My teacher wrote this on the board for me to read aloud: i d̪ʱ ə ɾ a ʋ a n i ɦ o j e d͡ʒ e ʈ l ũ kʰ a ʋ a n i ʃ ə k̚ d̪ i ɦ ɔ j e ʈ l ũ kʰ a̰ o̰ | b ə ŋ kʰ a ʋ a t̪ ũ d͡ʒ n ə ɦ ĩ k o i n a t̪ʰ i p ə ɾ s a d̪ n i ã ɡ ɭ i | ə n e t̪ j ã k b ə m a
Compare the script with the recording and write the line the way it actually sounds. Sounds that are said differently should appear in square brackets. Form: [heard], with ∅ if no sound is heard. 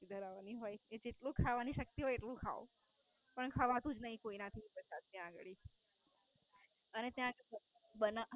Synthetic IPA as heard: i d̪ʱ ə ɾ a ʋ a n i ɦ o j e d͡ʒ e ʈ l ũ kʰ a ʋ a n i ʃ ə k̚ [t̪] i ɦ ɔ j e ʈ l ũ kʰ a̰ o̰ | [p] ə [ɳ] kʰ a ʋ a t̪ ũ d͡ʒ n ə ɦ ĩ k o i n a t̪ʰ i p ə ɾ s a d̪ n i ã ɡ ɭ i | ə n e t̪ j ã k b ə [n] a